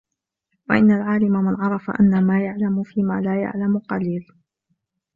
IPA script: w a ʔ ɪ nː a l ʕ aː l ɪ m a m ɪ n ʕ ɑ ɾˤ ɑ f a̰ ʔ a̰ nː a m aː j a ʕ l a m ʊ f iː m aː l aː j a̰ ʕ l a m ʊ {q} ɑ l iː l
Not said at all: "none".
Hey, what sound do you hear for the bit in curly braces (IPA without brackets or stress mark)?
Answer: q